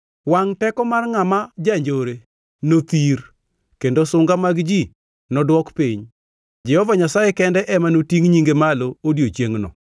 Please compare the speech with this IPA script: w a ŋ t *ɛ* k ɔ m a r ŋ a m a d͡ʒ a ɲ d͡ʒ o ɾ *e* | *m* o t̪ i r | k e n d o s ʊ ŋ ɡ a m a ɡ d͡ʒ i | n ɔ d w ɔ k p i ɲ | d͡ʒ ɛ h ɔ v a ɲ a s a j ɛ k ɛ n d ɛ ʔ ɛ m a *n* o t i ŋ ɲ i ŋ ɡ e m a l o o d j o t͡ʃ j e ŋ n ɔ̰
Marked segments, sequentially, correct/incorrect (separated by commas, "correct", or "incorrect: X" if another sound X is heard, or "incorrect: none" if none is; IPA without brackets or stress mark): correct, correct, incorrect: n, correct